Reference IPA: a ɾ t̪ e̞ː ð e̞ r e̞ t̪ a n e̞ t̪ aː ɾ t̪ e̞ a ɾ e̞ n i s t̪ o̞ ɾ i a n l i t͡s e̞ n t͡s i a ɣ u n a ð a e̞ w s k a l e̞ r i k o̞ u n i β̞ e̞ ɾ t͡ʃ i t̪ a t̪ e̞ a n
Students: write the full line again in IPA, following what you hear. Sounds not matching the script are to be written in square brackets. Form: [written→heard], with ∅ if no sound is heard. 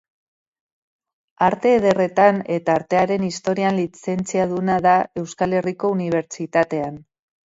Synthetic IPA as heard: a ɾ t̪ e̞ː ð e̞ r e̞ t̪ a n e̞ t̪ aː ɾ t̪ e̞ a ɾ e̞ n i s t̪ o̞ ɾ i a n l i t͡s e̞ n t͡s i a [ɣ→ð] u n a ð a e̞ w s k a l e̞ r i k o̞ u n i β̞ e̞ ɾ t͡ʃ i t̪ a t̪ e̞ a n